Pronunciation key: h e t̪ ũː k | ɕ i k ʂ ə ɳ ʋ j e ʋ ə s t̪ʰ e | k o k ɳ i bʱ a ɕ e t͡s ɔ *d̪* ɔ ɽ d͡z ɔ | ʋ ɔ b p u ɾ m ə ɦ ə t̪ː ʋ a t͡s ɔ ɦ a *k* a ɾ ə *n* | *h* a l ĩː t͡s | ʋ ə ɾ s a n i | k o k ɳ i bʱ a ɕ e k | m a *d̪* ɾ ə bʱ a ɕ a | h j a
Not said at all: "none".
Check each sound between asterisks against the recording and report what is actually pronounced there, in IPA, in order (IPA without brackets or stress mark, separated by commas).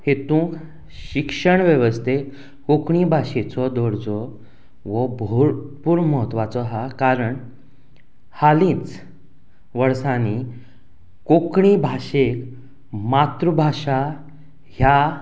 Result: d̪, k, ɳ, h, t̪